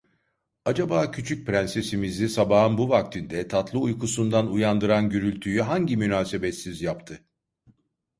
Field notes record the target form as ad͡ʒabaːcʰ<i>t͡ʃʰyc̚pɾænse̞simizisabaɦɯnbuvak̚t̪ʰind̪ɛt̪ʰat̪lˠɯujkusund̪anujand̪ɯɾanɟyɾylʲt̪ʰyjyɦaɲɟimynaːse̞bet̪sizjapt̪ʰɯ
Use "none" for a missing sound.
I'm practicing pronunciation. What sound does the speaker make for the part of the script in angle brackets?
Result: y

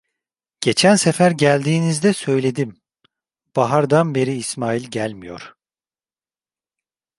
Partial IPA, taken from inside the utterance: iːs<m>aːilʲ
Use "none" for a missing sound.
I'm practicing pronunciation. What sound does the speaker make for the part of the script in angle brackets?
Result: m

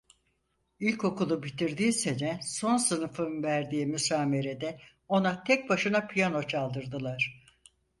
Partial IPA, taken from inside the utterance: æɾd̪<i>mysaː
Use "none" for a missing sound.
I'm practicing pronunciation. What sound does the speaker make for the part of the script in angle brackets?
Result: iː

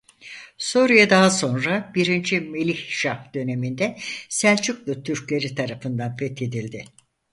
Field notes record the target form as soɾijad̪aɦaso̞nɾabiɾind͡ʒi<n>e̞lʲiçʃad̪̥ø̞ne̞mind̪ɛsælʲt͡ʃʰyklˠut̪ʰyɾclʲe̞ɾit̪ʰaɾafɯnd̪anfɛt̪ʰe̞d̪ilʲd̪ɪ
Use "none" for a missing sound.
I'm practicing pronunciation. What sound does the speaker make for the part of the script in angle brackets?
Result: m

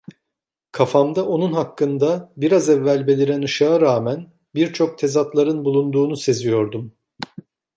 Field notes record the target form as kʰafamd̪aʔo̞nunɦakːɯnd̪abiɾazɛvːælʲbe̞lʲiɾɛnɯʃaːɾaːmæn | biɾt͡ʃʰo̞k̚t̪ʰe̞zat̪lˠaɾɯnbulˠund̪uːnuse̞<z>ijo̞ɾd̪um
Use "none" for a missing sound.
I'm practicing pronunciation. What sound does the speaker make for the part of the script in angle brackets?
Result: z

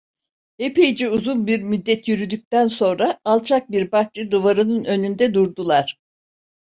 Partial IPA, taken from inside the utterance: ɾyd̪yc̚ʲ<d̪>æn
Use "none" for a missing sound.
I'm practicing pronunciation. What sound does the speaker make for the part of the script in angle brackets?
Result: t̪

